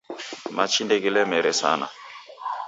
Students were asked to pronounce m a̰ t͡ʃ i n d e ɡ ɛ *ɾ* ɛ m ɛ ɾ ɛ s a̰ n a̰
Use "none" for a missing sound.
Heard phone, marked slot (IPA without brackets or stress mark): l